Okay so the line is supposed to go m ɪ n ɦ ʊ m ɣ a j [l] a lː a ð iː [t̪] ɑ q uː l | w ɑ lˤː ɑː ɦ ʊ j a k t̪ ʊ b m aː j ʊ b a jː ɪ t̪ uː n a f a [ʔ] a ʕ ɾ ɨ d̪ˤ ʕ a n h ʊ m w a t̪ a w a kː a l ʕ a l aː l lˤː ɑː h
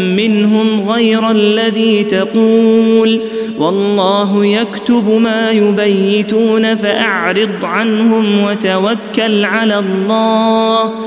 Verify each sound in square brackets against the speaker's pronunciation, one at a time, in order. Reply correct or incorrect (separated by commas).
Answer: incorrect, correct, correct